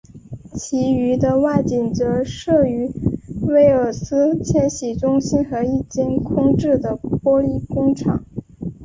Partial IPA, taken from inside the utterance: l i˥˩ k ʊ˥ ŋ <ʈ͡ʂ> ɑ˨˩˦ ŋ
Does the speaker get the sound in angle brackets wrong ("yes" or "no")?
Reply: yes